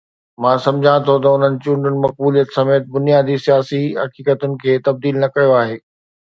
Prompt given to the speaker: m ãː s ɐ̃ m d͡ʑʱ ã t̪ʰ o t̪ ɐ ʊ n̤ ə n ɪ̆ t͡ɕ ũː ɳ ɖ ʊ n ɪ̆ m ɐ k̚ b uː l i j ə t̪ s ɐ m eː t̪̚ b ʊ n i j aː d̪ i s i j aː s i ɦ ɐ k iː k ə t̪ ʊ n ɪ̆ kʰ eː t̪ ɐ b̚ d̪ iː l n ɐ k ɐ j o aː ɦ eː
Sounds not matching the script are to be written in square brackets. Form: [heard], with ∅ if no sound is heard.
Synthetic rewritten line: m ãː s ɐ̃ m d͡ʑʱ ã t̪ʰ o t̪ ɐ ʊ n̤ ə n ɪ̆ t͡ɕ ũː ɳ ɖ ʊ n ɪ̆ m ɐ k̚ b uː l i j ə t̪ s ɐ m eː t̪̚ b ʊ n i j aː d̪ i s i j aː s i ɦ ɐ k iː k ə t̪ ʊ n ɪ̆ kʰ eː t̪ ɐ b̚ d̪ iː l n ɐ k ɐ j o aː ɦ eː